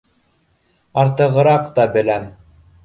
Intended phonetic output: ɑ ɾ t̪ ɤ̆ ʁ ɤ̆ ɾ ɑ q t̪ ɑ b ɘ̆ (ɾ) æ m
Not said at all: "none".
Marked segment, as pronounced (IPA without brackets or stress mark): l